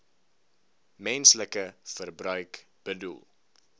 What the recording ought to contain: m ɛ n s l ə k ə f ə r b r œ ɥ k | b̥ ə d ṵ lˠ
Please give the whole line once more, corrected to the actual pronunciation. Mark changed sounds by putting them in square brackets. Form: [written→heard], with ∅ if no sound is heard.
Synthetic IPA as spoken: m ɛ n s l ə k ə f ə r b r œ ɥ k | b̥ ə d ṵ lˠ